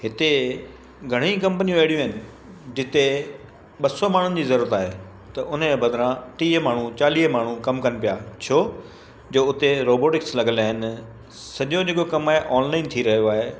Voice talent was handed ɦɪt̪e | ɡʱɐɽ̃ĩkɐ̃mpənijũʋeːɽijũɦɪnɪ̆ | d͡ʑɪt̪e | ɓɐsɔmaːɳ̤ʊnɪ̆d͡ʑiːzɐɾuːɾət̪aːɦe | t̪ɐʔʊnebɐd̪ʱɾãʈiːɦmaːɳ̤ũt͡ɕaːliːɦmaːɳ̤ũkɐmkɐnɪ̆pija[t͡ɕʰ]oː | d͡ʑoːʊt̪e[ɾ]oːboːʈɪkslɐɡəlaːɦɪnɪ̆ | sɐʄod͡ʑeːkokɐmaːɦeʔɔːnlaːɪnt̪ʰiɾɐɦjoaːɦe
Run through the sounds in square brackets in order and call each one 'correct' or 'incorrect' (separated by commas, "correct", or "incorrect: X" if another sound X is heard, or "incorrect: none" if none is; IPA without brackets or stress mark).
correct, correct